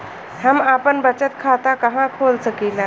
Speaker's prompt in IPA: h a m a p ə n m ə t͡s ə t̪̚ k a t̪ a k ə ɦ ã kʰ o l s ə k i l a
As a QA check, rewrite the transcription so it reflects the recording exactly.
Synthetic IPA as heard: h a m a p ə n b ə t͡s ə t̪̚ kʰ a t̪ a k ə ɦ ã kʰ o l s ə k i l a